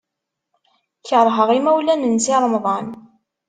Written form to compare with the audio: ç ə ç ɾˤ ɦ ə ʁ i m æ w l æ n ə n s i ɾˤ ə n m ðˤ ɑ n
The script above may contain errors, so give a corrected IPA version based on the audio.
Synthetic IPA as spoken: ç ə ɾˤ ɦ ə ʁ i m æ w l æ n ə n s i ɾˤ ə m ðˤ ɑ n